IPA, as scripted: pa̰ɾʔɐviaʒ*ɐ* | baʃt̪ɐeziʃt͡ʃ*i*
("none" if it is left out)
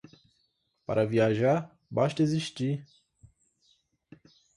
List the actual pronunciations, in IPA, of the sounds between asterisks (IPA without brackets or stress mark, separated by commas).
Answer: a, i